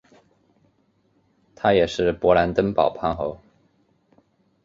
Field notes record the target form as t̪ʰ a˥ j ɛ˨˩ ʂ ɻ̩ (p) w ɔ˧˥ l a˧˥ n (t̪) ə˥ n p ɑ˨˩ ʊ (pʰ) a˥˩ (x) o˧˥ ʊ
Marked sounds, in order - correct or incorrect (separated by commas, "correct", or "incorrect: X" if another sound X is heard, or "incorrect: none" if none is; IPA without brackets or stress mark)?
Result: correct, correct, correct, correct